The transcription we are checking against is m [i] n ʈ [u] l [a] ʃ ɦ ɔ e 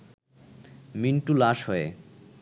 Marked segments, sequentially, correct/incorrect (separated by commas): correct, correct, correct